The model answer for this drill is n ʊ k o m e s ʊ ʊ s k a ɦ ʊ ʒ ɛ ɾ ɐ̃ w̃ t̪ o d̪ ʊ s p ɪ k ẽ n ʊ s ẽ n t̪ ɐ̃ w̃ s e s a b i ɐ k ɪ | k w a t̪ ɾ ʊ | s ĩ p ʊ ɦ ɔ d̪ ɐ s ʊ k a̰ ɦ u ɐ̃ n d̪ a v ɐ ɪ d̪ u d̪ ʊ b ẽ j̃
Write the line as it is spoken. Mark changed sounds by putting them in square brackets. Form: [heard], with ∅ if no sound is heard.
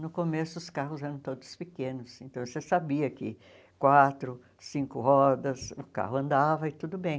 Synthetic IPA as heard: n ʊ k o m e s ʊ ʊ s k a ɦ ʊ [z] ɛ ɾ ɐ̃ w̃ t̪ o d̪ ʊ s p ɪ k ẽ n ʊ s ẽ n t̪ ɐ̃ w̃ s e s a b i ɐ k ɪ | k w a t̪ ɾ ʊ | s ĩ [k] ʊ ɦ ɔ d̪ ɐ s ʊ k a̰ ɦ [ʊ] ɐ̃ n d̪ a v ɐ ɪ [t̪] u d̪ ʊ b ẽ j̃